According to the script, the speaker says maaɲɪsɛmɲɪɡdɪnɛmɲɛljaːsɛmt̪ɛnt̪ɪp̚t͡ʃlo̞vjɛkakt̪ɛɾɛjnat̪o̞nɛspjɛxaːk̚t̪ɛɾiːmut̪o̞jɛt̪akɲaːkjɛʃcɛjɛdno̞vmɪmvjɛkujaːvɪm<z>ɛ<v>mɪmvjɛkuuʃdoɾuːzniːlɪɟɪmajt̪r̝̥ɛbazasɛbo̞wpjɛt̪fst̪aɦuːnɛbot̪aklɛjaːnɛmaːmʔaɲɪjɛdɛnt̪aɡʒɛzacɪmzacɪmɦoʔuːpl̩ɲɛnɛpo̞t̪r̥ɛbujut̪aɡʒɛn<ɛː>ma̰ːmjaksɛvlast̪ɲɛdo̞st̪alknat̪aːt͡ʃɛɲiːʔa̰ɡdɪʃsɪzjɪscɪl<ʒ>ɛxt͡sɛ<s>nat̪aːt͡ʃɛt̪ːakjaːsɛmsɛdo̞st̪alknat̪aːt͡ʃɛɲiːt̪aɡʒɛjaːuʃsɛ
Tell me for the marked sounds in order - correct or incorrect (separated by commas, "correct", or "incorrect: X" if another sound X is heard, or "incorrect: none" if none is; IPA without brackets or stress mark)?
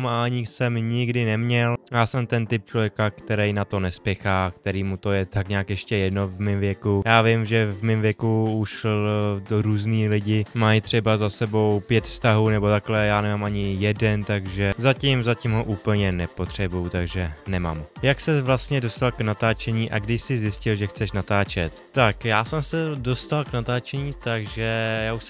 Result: incorrect: ʒ, correct, incorrect: ɛ, correct, incorrect: ʃ